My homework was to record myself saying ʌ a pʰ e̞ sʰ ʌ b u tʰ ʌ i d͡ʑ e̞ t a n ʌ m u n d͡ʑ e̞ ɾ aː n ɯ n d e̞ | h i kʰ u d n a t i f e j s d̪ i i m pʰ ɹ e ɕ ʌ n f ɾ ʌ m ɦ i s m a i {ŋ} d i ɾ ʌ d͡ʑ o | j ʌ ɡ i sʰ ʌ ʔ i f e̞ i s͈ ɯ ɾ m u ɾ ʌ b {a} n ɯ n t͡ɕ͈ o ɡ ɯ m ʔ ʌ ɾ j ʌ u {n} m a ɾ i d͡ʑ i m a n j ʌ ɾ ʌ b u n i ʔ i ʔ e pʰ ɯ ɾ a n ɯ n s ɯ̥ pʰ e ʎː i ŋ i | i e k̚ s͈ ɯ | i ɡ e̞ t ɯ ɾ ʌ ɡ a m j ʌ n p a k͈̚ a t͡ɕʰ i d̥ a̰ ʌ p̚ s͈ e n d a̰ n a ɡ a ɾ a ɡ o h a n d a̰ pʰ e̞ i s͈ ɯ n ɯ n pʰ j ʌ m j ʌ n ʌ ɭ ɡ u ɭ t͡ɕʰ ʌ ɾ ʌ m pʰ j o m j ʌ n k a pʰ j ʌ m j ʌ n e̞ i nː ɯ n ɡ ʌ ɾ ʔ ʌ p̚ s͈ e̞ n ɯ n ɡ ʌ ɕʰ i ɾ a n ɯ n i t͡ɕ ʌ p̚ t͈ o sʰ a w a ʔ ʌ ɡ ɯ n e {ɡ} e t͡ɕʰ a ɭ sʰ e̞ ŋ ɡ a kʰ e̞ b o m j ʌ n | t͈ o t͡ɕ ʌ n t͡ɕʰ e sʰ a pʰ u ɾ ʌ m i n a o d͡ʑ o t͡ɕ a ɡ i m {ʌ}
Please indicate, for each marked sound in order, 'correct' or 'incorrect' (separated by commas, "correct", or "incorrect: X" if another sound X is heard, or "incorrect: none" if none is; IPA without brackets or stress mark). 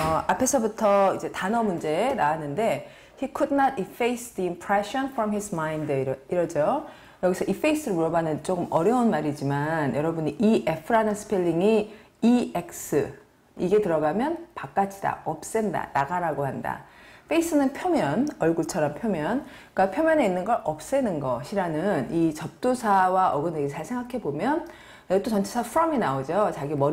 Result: incorrect: n, correct, correct, correct, correct